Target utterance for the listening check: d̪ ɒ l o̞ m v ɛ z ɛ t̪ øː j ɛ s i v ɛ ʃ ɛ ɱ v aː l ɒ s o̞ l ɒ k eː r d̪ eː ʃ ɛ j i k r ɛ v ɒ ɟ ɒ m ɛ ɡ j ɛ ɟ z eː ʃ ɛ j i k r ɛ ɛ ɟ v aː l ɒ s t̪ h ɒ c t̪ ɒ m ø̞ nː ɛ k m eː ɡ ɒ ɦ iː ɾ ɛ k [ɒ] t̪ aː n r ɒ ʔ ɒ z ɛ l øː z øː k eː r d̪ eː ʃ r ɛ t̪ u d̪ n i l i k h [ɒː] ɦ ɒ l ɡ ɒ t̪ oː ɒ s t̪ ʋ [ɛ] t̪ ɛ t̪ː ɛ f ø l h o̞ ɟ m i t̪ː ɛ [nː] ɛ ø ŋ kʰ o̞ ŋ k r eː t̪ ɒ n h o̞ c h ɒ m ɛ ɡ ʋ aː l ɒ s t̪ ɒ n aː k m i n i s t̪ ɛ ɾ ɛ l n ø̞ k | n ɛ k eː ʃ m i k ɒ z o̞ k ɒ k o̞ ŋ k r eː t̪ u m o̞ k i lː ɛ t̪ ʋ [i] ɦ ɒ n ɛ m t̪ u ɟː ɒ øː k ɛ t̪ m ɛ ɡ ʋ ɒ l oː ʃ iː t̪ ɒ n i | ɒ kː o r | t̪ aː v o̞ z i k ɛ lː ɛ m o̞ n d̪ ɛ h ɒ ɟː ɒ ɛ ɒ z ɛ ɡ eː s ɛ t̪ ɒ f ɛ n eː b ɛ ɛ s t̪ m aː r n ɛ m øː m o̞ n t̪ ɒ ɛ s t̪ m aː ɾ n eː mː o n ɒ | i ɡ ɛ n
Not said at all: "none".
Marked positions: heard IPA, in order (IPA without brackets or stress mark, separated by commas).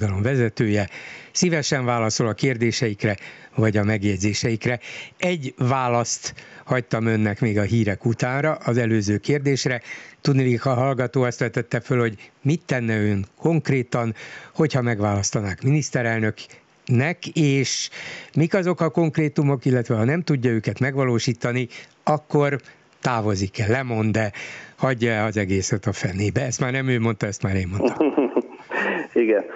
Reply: u, ɒ, ɛ, nː, ɛ